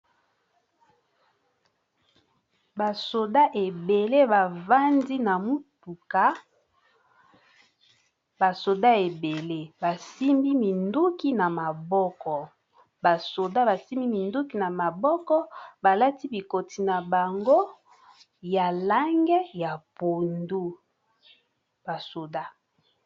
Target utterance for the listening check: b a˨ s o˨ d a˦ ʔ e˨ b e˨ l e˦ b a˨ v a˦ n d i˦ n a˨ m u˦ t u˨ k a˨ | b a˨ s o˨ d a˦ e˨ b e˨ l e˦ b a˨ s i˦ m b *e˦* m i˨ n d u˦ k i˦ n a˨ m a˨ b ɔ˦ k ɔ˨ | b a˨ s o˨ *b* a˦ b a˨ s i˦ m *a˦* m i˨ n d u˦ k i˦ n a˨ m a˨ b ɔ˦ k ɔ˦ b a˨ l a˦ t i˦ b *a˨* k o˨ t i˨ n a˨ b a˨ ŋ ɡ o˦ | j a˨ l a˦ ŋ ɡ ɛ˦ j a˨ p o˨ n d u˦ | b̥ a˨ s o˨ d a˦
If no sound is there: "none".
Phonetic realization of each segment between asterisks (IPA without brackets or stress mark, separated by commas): i˦, d, i˦, i˨